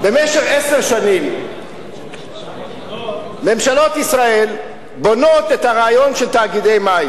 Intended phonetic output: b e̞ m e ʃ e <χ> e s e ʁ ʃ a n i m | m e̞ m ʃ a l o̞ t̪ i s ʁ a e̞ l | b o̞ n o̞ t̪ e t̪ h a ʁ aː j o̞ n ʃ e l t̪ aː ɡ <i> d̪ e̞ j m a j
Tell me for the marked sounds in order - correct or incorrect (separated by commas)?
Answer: correct, correct